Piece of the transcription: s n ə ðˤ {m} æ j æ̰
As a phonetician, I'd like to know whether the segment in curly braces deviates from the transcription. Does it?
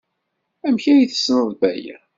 yes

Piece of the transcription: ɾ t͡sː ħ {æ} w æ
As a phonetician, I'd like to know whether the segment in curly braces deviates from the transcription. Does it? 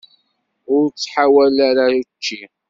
yes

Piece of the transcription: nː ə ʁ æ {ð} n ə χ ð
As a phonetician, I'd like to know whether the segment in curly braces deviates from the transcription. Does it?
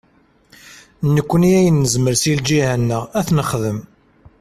yes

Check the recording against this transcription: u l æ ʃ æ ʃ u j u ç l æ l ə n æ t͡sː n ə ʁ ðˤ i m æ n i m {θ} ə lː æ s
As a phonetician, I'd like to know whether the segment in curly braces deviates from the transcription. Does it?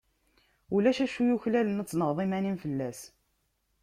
yes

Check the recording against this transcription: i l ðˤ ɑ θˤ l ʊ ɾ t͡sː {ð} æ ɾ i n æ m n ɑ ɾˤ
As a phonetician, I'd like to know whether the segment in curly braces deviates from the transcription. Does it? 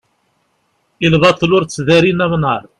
no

